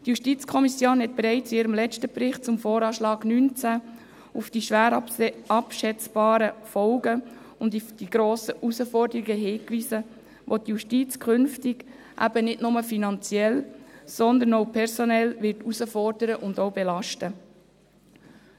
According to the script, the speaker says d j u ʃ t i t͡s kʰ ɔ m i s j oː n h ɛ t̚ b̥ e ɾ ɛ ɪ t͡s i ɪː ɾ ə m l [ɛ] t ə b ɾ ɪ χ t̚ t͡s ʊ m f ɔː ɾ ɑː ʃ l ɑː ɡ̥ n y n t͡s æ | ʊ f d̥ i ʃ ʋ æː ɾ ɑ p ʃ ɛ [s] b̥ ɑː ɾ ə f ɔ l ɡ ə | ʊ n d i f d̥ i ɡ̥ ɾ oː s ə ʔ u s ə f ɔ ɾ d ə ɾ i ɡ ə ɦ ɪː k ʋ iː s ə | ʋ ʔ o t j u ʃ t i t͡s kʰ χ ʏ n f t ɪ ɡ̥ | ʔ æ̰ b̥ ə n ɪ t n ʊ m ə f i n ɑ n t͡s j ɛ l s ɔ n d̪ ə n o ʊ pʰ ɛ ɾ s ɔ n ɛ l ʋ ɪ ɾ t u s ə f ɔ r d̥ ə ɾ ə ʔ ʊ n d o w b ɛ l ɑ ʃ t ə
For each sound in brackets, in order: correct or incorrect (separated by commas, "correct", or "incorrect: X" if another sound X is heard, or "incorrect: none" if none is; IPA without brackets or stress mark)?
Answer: correct, incorrect: t͡s